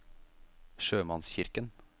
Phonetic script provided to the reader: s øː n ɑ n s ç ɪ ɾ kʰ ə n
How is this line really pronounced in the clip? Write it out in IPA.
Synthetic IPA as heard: ʃ øː m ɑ n s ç ɪ ɾ k ə n